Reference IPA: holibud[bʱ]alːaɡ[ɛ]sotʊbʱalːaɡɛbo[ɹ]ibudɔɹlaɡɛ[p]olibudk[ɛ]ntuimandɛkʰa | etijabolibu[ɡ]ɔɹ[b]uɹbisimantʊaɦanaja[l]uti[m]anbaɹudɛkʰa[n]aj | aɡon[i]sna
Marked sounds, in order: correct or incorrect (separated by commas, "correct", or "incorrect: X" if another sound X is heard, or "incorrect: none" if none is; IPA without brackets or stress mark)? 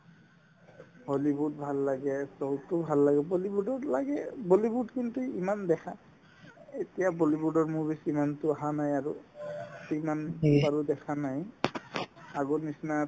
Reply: correct, correct, incorrect: l, incorrect: b, incorrect: i, incorrect: d, incorrect: m, incorrect: ɹ, correct, correct, correct